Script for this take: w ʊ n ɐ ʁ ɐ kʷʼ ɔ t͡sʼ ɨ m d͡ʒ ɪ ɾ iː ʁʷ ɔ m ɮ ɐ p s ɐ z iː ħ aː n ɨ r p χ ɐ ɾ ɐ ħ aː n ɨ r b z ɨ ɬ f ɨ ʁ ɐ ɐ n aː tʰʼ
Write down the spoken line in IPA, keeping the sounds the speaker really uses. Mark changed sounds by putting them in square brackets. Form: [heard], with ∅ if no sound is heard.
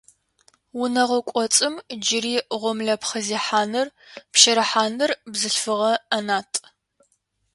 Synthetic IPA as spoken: w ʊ n ɐ ʁ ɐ kʷʼ ɔ t͡sʼ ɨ m d͡ʒ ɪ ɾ iː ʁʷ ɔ m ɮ ɐ p [χ] ɐ z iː ħ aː n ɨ r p [ʃ] ɐ ɾ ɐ ħ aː n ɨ r b z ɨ ɬ f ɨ ʁ ɐ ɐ n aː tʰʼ